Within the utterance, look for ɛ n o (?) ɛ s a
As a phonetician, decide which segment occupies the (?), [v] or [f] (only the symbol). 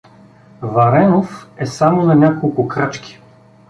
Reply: f